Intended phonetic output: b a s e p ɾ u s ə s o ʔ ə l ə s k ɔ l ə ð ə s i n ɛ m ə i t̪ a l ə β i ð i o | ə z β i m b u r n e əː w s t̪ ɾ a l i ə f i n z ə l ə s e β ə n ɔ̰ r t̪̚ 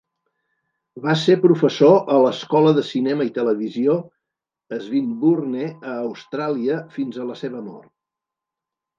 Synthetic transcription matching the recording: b a s e p ɾ u f ə s o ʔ ə l ə s k ɔ l ə ð ə s i n ɛ m ə i t̪ ə l ə β i z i o | ə z β i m b u r n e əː w s t̪ ɾ a l i ə f i n z ə l ə s e β ə m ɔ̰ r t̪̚